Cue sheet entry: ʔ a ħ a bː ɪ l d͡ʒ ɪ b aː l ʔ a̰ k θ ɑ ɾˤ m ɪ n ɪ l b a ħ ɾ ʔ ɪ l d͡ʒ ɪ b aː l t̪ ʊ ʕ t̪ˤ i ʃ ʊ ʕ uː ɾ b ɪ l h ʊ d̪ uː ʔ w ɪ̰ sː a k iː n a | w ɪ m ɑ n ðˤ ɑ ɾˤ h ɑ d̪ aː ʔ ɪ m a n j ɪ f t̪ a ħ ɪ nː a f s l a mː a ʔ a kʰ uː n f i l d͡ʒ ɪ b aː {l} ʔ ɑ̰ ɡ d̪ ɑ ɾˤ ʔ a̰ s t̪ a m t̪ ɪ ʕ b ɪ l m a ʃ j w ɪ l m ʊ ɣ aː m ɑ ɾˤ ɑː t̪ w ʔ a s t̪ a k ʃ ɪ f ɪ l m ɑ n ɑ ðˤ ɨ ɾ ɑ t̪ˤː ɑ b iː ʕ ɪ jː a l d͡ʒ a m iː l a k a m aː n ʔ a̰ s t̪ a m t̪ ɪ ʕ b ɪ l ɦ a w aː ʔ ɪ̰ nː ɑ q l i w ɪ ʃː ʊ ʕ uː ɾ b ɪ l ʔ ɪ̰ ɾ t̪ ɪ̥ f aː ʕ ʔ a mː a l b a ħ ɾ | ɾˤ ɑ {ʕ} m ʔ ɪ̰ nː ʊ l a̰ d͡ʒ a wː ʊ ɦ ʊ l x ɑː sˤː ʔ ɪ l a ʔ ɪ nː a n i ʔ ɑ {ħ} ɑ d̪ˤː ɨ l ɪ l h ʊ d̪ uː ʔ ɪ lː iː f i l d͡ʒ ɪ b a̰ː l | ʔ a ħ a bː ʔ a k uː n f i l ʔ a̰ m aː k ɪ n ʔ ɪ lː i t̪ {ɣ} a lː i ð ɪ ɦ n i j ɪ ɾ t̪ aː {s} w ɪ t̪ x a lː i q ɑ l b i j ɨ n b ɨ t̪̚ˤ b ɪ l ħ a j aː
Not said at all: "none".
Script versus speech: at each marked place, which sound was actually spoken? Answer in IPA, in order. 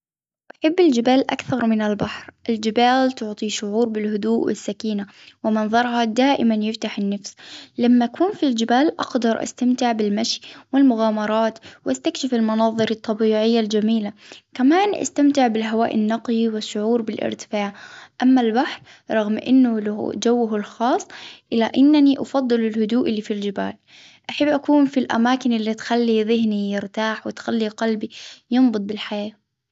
l, ɣ, f, x, ħ

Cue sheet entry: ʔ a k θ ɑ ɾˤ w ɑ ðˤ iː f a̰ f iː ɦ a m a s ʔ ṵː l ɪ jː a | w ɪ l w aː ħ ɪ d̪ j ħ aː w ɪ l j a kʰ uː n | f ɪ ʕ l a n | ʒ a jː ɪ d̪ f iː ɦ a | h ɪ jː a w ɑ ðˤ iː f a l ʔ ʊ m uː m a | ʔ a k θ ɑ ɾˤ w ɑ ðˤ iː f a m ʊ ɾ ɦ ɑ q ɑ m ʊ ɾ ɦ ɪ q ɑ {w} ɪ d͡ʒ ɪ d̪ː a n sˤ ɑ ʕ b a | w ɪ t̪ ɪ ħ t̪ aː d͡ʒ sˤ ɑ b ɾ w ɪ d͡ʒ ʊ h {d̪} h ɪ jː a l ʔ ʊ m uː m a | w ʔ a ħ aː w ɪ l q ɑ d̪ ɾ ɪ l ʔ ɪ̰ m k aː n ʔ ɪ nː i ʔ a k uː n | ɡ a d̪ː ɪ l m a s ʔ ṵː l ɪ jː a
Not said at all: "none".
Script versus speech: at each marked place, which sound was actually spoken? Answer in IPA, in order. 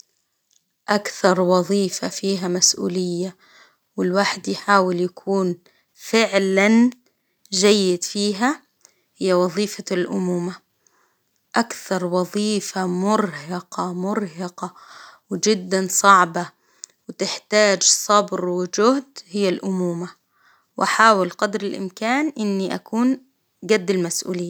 w, d̪

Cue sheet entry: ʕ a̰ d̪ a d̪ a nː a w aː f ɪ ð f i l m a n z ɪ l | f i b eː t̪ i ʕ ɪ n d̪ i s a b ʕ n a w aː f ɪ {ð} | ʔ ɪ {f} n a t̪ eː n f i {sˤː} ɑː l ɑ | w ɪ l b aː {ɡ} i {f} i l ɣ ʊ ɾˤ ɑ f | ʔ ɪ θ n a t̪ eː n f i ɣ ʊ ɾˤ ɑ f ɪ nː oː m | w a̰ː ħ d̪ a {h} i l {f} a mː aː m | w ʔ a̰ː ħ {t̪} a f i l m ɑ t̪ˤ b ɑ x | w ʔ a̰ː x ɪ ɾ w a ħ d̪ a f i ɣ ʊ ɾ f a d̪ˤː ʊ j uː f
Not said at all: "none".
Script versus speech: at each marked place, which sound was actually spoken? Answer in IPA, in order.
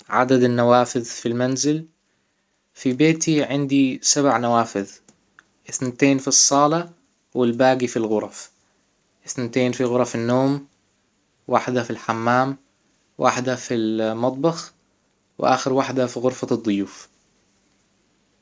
ð, θ, sˤː, ɡ, f, f, ħ, d̪

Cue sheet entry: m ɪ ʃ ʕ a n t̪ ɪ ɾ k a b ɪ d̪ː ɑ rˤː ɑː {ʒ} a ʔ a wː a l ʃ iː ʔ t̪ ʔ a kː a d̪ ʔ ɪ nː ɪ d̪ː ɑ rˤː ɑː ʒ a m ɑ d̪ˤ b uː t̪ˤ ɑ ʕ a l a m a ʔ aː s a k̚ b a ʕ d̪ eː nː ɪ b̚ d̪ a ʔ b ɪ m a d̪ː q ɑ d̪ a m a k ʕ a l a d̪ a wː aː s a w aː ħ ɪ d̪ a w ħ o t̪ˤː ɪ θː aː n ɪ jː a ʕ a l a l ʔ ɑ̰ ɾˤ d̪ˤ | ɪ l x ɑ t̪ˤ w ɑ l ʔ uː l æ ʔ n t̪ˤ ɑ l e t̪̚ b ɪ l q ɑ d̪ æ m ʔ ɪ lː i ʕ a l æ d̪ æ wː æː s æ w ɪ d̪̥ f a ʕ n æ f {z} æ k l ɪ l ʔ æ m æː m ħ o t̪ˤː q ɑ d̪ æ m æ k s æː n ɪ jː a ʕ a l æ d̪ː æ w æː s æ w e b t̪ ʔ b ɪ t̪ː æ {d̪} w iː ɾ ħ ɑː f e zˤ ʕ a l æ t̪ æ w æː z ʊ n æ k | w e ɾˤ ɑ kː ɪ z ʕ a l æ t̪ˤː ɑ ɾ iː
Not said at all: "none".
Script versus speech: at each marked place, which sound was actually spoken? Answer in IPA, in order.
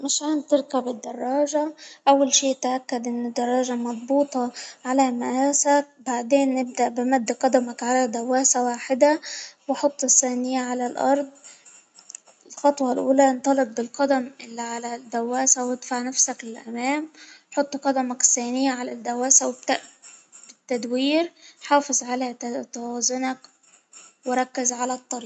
ʒ, s, d̪

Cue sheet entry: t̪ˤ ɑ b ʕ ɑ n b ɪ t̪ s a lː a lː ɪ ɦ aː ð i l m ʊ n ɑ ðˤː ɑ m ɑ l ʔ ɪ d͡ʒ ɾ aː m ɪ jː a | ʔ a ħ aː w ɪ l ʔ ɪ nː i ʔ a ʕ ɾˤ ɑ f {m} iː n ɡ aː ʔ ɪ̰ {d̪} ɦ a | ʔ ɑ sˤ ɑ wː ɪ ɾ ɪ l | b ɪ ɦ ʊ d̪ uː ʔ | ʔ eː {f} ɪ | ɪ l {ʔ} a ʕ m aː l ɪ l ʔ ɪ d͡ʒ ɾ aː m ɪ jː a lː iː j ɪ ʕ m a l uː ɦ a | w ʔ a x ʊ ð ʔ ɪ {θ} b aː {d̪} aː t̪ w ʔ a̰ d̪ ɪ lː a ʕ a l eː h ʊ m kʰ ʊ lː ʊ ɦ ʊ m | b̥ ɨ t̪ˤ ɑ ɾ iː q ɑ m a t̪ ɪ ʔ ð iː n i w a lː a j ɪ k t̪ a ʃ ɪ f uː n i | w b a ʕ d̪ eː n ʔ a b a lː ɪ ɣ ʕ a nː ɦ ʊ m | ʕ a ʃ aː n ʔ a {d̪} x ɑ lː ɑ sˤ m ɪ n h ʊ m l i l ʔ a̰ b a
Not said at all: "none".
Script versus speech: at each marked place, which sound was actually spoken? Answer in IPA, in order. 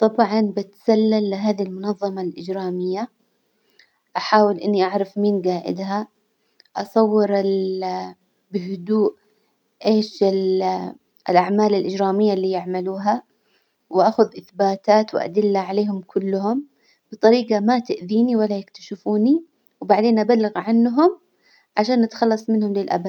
m, d̪, ʃ, ʔ, θ, t̪, t̪

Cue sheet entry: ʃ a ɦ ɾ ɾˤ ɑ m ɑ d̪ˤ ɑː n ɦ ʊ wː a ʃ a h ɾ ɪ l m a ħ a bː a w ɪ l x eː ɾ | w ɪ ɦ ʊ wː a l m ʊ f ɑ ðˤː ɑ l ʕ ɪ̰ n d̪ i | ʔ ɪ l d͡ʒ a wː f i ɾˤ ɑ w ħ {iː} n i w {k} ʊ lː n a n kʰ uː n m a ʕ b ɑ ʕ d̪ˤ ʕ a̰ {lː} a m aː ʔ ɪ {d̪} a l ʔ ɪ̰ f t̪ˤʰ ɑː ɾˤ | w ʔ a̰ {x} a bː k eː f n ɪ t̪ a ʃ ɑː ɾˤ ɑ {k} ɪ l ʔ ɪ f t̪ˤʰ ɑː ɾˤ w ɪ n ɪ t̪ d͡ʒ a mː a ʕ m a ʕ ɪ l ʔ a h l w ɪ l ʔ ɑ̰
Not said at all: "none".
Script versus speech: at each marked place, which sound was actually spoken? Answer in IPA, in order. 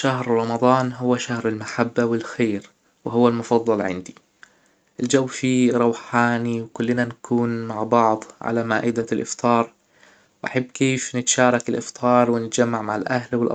aː, k, l, d̪, ħ, k

